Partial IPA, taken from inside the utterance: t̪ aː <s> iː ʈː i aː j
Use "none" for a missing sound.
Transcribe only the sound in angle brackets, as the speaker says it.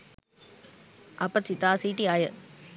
s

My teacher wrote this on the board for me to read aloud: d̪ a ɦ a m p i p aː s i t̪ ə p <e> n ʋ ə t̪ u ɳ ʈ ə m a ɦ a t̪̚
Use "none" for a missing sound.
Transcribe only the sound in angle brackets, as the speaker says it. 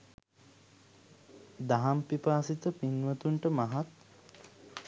i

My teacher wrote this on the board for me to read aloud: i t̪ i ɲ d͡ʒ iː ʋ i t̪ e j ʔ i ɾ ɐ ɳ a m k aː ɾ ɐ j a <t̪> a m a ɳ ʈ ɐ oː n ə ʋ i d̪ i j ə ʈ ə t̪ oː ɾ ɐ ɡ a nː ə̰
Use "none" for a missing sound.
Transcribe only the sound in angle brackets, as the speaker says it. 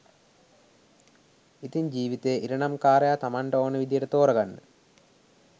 t̪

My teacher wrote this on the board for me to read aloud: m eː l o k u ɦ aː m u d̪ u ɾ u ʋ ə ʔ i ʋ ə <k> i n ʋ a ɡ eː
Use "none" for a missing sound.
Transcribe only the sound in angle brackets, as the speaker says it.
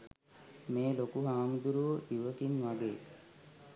k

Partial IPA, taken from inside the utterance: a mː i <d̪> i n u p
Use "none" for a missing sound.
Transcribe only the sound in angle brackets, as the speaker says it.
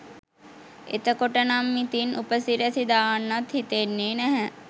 t̪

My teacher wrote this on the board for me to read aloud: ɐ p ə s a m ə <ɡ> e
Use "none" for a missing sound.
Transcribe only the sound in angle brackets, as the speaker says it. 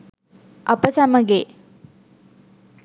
ɡ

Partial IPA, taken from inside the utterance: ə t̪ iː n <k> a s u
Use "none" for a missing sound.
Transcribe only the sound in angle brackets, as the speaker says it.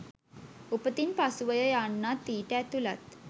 p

